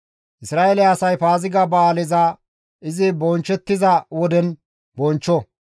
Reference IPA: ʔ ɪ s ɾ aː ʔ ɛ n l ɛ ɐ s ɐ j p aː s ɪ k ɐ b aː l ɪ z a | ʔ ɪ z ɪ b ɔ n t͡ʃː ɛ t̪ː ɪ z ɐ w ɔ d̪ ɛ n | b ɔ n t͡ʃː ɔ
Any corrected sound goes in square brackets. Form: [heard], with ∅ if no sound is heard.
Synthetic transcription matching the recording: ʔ ɪ s ɾ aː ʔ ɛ [∅] l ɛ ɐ s ɐ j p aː [z] ɪ [ɡ] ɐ b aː l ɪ z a | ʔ ɪ z ɪ b ɔ n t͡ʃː ɛ t̪ː ɪ z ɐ w ɔ d̪ ɛ n | b ɔ n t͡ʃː ɔ